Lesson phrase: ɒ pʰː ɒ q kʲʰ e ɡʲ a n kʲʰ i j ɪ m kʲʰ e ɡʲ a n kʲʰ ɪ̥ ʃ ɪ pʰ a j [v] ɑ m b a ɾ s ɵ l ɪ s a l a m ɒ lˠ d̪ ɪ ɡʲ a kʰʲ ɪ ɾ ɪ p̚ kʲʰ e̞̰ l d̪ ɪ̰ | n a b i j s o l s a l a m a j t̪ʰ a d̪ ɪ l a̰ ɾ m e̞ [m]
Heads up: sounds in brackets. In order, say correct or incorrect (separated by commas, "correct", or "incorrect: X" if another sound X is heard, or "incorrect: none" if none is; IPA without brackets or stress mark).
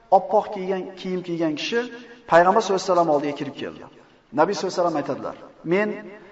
incorrect: ʁ, incorrect: n